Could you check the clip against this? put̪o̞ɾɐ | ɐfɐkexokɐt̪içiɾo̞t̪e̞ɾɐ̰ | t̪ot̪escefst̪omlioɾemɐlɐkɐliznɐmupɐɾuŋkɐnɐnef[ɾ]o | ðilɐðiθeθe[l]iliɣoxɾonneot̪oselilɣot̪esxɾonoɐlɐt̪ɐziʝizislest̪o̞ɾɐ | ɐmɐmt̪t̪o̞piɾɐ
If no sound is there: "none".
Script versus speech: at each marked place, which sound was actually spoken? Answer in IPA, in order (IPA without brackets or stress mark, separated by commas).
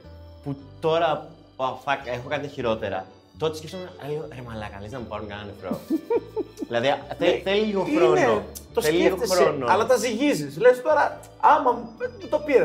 ɾ, l